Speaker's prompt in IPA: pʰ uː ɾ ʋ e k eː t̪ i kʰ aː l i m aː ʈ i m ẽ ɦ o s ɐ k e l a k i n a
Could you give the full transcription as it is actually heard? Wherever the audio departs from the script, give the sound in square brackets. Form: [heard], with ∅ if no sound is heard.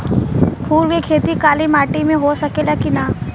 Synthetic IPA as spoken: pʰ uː ɾ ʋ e [kʰ] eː t̪ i [k] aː l i m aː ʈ i m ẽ ɦ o s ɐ k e l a k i n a